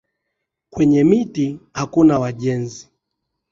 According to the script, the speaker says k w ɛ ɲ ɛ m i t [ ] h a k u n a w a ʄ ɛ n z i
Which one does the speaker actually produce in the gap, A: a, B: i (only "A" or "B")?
B